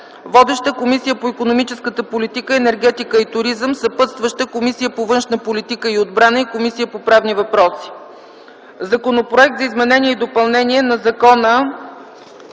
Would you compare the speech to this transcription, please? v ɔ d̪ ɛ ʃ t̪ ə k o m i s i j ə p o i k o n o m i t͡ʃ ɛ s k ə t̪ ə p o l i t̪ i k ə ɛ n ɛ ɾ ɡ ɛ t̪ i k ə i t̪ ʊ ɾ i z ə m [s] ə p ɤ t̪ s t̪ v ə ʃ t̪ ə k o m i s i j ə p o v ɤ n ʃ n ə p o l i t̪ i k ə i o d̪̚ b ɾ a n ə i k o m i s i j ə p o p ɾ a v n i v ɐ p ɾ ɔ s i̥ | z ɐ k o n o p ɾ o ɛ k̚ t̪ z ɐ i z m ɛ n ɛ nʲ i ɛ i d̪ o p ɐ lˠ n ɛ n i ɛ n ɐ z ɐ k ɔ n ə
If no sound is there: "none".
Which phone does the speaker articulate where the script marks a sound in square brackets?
s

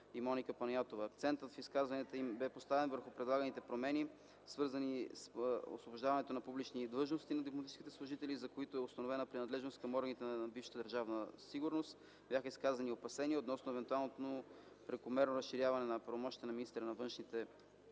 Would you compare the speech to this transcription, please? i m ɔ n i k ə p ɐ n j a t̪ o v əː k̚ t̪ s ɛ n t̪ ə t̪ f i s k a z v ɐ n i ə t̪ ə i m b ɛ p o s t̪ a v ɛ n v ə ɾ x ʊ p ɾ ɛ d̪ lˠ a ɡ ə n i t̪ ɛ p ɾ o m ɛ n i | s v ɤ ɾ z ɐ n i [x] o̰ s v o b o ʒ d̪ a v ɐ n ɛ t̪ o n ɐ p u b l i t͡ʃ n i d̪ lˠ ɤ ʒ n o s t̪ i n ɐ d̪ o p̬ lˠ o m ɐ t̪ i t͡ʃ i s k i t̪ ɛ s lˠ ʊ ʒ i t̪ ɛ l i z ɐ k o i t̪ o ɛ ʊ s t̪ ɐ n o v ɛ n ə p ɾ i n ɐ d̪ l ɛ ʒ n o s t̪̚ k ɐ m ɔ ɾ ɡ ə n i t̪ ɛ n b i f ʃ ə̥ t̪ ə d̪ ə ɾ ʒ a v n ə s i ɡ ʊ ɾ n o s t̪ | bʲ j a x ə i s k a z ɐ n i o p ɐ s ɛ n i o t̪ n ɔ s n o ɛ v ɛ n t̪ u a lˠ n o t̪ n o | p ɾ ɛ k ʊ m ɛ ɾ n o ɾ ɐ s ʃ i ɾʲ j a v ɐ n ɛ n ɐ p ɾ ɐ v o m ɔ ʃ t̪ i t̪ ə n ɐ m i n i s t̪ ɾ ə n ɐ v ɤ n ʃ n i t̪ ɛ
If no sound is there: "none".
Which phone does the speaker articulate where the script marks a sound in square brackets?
s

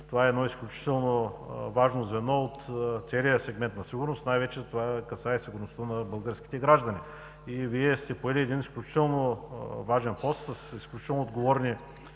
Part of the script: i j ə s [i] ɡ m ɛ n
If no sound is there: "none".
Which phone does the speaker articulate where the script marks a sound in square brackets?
ɛ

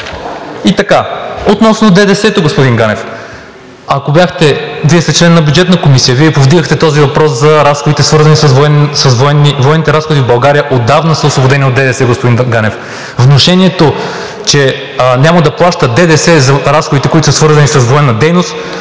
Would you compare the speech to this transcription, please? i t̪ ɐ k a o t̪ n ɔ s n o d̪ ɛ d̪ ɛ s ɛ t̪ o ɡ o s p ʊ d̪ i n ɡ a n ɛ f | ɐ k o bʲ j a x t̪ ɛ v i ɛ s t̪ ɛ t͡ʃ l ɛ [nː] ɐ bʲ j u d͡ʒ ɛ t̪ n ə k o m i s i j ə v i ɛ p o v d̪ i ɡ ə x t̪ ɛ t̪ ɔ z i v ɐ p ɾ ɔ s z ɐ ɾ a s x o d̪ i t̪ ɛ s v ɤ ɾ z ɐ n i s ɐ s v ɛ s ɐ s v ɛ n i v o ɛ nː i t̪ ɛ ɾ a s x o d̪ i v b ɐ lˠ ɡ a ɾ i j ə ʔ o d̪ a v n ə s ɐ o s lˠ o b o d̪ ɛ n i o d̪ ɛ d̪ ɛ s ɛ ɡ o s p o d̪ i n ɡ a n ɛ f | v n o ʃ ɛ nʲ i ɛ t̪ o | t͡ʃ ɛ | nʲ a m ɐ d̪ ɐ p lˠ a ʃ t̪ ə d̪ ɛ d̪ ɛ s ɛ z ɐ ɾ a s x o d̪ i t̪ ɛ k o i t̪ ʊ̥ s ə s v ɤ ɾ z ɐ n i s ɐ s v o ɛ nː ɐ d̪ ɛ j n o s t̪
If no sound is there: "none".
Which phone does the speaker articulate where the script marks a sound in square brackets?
nː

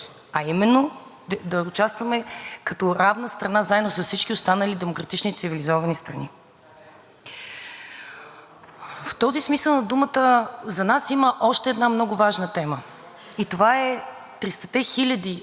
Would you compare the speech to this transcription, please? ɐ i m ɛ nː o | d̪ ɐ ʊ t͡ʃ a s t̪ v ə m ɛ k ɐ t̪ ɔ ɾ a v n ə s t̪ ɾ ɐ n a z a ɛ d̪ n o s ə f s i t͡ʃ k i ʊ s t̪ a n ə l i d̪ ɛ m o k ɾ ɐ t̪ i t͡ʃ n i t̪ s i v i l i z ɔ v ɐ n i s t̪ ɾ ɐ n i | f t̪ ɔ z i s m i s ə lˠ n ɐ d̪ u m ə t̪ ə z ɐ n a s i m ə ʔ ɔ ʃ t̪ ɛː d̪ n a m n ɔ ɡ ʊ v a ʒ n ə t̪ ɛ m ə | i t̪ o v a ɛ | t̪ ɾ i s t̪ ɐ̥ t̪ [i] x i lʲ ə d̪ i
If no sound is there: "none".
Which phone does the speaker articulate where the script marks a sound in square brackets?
ɛ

